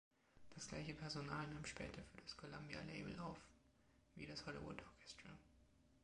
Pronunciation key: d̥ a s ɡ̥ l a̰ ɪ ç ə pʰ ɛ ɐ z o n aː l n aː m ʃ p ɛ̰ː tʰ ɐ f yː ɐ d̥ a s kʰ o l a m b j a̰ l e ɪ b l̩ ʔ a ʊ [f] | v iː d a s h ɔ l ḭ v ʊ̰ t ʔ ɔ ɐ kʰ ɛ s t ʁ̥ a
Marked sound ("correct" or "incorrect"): correct